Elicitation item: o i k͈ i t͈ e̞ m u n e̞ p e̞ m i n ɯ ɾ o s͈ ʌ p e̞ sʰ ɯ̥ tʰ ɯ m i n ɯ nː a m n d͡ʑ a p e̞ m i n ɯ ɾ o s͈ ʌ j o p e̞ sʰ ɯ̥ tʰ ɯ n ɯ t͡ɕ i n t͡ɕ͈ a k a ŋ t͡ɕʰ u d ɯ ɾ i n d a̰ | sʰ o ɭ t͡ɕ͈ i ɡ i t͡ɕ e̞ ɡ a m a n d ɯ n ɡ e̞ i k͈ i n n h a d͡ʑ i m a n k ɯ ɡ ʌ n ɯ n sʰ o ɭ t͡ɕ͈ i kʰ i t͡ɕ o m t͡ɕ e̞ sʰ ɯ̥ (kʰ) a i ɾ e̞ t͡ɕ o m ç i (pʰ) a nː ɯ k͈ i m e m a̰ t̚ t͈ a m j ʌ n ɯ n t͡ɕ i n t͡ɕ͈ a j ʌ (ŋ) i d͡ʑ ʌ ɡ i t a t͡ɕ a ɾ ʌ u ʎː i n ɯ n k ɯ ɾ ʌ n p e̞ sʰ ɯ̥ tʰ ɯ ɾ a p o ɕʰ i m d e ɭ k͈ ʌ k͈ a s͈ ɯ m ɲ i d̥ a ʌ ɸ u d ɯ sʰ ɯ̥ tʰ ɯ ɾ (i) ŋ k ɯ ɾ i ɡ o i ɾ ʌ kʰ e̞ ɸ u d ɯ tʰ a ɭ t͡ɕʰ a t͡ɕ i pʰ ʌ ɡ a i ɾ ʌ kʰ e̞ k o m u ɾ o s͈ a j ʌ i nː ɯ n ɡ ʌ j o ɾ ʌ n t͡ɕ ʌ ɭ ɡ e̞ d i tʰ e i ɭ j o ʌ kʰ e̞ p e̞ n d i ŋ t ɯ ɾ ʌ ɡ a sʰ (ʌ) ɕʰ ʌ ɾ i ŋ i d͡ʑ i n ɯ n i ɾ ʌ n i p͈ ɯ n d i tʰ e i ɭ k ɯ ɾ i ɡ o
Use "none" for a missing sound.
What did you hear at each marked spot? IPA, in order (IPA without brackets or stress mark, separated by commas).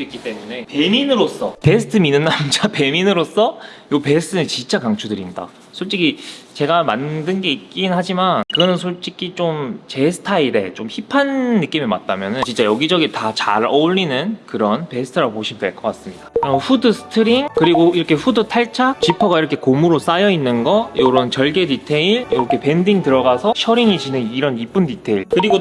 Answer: tʰ, pʰ, ɡ, i, ʌ